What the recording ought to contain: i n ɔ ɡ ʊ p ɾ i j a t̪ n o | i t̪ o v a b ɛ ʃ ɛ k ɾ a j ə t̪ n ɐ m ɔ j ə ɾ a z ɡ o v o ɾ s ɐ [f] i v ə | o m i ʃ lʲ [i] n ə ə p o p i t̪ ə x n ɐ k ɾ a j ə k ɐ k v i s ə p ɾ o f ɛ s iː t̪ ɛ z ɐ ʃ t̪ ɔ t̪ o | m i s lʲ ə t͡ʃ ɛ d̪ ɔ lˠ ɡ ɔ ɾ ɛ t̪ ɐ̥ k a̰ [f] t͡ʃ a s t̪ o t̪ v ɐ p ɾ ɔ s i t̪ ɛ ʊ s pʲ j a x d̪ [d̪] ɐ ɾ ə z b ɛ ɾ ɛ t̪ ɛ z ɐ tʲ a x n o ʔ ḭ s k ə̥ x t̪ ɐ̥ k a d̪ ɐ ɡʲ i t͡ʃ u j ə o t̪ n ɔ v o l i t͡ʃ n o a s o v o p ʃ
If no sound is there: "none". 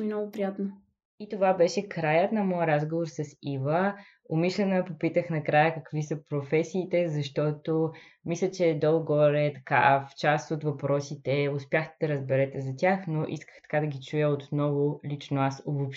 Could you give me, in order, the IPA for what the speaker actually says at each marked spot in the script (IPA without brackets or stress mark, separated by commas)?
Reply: s, ɛ, f, d̪